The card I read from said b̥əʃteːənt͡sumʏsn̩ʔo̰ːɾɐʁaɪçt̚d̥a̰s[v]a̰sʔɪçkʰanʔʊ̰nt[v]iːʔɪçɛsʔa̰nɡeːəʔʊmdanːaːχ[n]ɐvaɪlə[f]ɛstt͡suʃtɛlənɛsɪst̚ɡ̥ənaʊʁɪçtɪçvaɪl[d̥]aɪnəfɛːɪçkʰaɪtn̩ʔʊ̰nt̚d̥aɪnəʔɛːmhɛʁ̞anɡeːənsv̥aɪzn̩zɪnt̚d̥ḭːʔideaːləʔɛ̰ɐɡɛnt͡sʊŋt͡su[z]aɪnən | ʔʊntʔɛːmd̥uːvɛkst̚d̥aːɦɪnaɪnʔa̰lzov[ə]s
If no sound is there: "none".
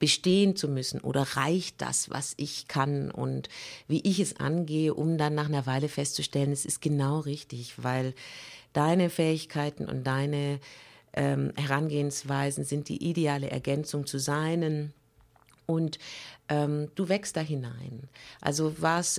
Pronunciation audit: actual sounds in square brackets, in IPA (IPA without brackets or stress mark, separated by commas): v, v, n, f, d̥, z, a